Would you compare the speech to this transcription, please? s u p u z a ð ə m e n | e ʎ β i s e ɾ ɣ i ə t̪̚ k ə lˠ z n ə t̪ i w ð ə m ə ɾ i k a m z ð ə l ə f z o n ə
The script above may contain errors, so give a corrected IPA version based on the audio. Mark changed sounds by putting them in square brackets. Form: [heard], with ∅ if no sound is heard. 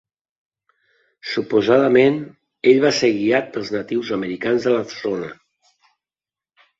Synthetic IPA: s u p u z a ð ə m e n | e ʎ β [a] s e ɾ ɣ i [a] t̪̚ [p] ə lˠ z n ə t̪ i w [z] ə m ə ɾ i k a [n] z ð ə l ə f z o n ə